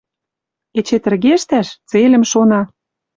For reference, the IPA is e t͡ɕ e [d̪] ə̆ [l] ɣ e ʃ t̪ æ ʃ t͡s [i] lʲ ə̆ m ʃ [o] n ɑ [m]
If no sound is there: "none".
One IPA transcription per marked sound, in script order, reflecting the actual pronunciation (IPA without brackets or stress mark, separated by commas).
t̪, r, e, o, none